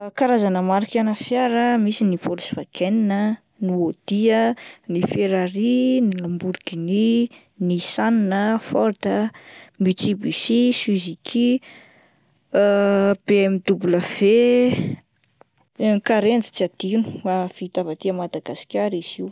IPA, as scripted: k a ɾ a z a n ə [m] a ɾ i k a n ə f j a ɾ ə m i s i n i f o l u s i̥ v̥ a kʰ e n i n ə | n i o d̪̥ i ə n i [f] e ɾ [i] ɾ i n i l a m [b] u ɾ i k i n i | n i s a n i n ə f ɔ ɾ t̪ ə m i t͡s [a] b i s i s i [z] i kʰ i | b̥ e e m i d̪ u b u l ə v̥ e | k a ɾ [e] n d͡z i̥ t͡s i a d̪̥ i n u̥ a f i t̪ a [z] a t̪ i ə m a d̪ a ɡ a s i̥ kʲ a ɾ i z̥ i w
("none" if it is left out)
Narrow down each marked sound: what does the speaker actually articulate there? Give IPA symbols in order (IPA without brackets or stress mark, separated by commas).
m, f, a, b, i, z, e, v